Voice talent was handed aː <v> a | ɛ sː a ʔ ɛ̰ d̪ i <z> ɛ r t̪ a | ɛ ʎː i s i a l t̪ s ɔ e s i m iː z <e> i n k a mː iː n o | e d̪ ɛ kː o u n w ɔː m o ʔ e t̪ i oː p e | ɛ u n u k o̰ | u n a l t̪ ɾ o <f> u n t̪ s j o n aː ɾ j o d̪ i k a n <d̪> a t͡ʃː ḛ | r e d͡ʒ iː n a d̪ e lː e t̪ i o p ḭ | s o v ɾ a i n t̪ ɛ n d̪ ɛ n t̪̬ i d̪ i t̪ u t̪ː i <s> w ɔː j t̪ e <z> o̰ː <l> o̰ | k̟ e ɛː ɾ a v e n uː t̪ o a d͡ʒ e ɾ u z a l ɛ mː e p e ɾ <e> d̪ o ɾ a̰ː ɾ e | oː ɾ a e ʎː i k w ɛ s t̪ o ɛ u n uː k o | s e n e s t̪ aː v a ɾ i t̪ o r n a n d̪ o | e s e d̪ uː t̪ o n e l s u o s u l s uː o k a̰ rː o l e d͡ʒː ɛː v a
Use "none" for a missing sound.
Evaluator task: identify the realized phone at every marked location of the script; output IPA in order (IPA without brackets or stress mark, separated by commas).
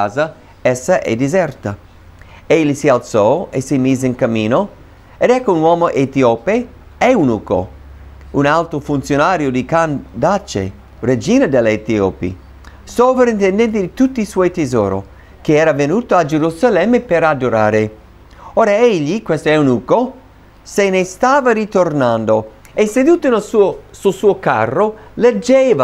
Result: z, z, e, f, d̪, s, z, ɾ, a